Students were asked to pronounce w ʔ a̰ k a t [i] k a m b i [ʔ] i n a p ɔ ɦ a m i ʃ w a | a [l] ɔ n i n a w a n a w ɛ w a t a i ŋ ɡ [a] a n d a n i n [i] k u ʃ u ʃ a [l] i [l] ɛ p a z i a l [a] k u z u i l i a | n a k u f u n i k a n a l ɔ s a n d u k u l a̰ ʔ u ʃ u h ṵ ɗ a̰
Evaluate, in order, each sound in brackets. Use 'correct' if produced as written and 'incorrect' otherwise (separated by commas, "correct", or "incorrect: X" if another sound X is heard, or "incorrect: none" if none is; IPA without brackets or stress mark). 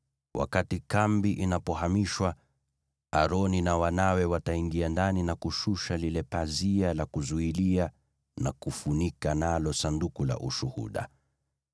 correct, correct, incorrect: ɾ, incorrect: i, incorrect: a, correct, correct, correct